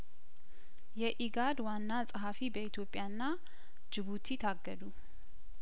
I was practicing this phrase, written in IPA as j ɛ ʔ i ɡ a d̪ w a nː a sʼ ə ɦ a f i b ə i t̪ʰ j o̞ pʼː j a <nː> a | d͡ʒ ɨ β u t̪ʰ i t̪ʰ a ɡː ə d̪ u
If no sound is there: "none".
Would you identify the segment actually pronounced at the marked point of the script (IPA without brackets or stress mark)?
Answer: nː